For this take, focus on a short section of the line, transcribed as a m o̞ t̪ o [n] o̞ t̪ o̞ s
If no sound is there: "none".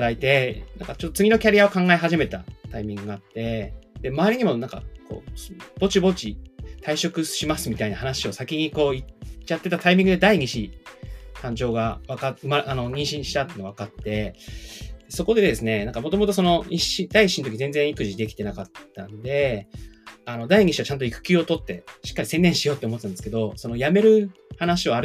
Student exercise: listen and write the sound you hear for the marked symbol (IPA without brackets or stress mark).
m